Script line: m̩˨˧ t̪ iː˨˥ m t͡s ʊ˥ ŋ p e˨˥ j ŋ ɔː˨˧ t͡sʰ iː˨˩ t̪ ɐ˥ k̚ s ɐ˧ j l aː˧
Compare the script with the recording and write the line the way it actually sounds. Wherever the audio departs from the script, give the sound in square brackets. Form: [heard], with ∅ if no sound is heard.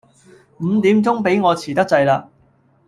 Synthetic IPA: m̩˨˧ t̪ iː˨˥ m t͡s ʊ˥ ŋ p e˨˥ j ŋ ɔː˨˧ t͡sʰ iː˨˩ t̪ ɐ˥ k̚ [t͡s] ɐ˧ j l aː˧